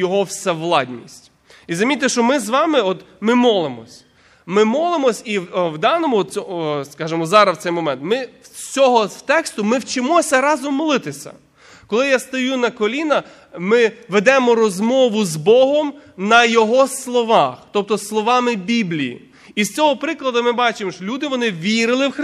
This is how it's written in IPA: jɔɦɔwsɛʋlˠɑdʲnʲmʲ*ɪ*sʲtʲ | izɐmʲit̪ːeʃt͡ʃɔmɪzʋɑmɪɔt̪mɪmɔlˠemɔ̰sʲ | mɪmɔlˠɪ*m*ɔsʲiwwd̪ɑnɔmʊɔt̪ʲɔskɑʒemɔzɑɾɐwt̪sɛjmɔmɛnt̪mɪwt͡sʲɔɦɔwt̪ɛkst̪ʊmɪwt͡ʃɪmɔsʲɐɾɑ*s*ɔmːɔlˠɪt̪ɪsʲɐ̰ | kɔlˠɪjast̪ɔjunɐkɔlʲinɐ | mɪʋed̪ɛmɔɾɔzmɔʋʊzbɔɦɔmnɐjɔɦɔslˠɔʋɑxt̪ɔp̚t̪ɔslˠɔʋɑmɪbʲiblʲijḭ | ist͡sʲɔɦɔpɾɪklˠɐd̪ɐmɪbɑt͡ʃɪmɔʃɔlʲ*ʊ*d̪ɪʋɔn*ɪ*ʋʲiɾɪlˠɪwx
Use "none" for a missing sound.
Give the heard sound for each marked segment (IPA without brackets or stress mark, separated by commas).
i, m, z, u, ɪ